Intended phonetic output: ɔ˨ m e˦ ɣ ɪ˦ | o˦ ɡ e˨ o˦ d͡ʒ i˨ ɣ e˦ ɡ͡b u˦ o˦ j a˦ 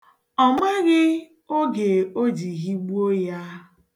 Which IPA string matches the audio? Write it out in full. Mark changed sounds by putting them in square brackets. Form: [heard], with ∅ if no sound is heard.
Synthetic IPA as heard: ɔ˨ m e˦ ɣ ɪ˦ | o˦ ɡ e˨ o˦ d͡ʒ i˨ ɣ [i˦] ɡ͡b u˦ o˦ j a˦